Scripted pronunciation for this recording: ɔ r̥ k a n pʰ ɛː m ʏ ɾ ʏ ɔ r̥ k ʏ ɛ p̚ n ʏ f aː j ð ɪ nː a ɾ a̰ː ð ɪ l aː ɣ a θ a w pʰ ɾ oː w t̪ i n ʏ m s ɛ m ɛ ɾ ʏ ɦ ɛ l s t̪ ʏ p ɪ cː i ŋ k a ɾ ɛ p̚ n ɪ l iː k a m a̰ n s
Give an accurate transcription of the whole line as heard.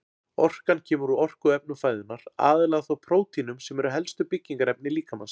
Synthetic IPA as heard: ɔ r̥ k a n cʰ ɛː m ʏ ɾ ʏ ɔ r̥ k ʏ ɛ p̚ n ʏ f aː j ð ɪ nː a ɾ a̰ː ð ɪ l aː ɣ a θ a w pʰ ɾ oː w t̪ i n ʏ m s ɛ m ɛ ɾ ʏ ɦ ɛ l s t̪ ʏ p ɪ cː i ŋ k a ɾ ɛ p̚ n ɪ l iː k a m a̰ n s